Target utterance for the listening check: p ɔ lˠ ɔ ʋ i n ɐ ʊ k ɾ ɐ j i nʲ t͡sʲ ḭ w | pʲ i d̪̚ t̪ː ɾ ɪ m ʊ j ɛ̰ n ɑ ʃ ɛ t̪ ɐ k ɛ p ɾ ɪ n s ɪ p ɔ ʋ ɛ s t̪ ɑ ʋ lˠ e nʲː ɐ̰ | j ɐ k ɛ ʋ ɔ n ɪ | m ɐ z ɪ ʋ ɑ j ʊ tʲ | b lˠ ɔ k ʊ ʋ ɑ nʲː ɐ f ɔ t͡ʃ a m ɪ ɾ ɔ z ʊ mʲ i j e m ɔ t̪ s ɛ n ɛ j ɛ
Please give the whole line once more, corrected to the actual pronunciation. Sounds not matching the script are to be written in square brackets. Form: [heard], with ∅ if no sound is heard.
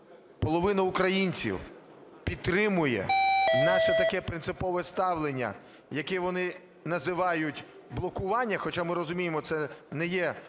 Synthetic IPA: p ɔ lˠ ɔ ʋ [ɪ] n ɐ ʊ k ɾ ɐ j i nʲ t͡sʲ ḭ w | pʲ i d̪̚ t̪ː ɾ ɪ m ʊ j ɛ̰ n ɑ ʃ ɛ t̪ ɐ k ɛ p ɾ ɪ n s ɪ p ɔ ʋ ɛ s t̪ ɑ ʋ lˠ e nʲː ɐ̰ | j ɐ k ɛ ʋ ɔ n ɪ | [n] ɐ z ɪ ʋ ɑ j ʊ tʲ | b lˠ ɔ k ʊ ʋ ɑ nʲː ɐ [x] ɔ t͡ʃ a m ɪ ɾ ɔ z ʊ mʲ i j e m ɔ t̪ s ɛ n ɛ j ɛ